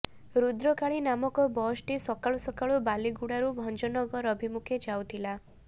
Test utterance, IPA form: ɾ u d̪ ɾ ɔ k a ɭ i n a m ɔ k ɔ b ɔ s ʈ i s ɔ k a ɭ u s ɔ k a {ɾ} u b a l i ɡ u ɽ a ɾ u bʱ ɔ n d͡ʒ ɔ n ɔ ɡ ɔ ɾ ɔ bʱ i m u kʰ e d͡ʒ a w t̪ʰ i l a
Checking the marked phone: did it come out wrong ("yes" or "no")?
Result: yes